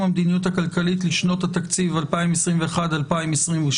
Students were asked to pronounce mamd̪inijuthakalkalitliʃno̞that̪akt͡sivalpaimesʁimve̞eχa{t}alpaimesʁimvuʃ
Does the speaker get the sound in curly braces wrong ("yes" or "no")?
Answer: yes